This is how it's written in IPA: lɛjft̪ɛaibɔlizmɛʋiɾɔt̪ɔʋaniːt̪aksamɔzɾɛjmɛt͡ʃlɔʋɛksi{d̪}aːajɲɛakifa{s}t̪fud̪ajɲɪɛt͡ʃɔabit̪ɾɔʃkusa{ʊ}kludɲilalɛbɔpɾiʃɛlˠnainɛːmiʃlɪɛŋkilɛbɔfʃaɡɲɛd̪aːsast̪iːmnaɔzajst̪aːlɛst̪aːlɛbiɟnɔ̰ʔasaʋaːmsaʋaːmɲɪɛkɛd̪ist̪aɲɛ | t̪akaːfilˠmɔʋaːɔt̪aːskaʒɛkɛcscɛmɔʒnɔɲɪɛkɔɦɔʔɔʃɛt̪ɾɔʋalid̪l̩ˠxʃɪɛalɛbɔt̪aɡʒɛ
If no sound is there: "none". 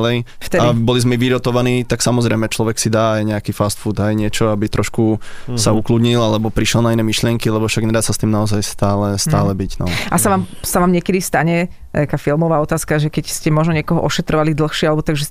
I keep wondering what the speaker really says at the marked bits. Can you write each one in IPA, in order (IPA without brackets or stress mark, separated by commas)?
d̪, s, u